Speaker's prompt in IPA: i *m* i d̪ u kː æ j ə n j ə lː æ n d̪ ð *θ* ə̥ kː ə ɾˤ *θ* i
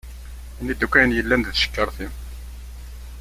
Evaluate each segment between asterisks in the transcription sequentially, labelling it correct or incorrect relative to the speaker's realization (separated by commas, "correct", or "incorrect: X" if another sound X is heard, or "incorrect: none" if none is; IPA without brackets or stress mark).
incorrect: n, incorrect: ʃ, correct